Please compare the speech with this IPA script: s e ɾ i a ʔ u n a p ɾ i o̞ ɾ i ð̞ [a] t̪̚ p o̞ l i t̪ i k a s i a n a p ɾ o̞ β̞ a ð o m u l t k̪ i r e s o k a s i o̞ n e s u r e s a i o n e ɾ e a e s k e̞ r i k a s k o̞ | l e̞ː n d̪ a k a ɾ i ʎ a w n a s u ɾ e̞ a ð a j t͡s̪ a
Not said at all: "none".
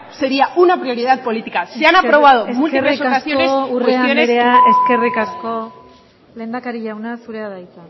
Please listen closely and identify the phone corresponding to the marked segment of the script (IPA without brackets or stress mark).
a